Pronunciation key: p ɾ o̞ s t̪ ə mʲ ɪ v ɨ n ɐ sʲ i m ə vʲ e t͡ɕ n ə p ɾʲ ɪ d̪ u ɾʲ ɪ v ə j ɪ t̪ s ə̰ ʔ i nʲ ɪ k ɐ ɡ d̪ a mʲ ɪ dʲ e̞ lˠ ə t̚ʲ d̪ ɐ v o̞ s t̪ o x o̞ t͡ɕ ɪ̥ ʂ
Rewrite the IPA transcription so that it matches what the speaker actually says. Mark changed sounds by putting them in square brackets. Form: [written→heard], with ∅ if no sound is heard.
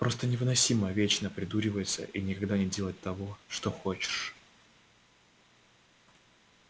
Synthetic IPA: p ɾ o̞ s t̪ ə [mʲ→nʲ] ɪ v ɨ n ɐ sʲ i m ə vʲ e t͡ɕ n ə p ɾʲ ɪ d̪ u ɾʲ ɪ v ə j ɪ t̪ s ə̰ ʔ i nʲ ɪ k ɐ ɡ d̪ a [mʲ→nʲ] ɪ dʲ e̞ lˠ ə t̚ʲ [d̪→t̪] ɐ v o̞ [s→ʂ] t̪ o x o̞ t͡ɕ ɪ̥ ʂ